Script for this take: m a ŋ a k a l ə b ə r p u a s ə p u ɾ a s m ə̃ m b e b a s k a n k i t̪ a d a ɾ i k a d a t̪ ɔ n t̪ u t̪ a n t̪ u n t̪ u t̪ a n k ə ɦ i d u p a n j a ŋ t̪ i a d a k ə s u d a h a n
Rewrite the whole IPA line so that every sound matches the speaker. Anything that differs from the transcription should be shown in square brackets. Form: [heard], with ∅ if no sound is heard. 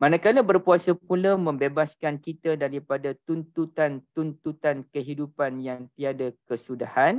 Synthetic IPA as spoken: m a [n] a k a l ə b ə r p u a s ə p u [l] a [∅] m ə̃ m b e b a s k a n k i t̪ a d a ɾ i [p] a d a t̪ [u] n t̪ u t̪ a n t̪ u n t̪ u t̪ a n k ə ɦ i d u p a n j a ŋ t̪ i a d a k ə s u d a h a n